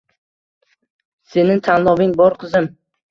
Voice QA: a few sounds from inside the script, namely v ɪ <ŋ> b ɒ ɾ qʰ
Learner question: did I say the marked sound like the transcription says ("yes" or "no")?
yes